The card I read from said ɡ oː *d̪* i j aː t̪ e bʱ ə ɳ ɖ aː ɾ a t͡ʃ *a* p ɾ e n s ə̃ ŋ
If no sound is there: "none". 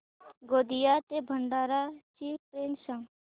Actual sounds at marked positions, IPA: d̪, i

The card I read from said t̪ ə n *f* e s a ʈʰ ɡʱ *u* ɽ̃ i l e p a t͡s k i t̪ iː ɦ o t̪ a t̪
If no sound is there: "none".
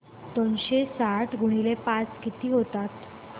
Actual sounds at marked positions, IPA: ɕ, u

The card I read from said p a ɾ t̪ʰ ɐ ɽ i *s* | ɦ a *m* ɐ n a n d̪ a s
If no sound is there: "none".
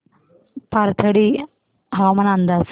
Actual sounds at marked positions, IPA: none, m

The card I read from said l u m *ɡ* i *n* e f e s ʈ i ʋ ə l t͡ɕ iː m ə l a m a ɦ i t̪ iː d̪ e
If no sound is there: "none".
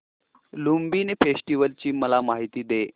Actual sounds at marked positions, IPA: b, n

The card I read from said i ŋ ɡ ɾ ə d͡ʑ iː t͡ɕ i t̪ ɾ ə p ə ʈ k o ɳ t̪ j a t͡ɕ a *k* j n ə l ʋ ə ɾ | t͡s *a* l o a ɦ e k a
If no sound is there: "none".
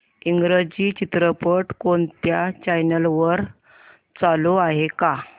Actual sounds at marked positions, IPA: none, a

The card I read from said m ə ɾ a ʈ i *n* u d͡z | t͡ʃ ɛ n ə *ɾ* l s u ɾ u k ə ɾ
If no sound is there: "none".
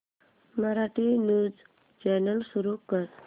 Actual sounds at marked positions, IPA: n, none

